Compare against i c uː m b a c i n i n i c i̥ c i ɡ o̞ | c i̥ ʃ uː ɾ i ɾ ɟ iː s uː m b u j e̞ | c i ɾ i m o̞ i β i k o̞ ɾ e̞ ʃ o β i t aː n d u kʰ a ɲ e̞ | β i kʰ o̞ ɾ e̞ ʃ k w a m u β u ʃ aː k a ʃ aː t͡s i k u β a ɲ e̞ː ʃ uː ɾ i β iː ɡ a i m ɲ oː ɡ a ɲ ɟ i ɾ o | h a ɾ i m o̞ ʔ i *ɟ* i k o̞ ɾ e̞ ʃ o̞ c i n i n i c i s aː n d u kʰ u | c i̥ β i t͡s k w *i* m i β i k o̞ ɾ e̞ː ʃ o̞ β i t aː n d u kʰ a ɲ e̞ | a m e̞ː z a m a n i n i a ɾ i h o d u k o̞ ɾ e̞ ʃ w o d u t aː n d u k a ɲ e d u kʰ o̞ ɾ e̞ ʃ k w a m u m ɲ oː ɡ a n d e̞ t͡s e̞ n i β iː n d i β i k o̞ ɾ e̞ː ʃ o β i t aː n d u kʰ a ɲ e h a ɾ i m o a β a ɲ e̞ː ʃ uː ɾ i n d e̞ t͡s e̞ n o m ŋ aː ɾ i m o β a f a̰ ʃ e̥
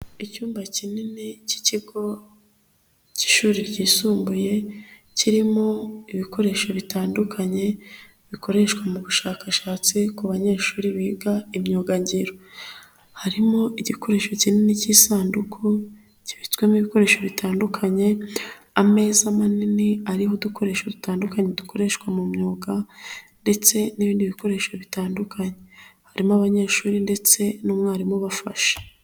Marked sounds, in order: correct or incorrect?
correct, incorrect

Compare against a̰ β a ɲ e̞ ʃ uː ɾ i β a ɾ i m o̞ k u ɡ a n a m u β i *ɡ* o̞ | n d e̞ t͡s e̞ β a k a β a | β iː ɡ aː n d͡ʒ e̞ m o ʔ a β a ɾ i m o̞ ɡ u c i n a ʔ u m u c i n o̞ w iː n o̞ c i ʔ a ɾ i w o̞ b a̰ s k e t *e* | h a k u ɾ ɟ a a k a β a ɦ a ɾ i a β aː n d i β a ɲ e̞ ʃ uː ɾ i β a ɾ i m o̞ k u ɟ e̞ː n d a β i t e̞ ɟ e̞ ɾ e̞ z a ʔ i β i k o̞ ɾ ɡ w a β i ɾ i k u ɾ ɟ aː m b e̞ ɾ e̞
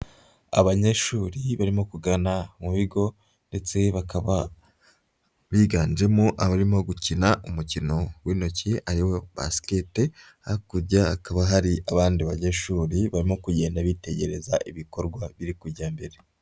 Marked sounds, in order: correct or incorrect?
correct, correct

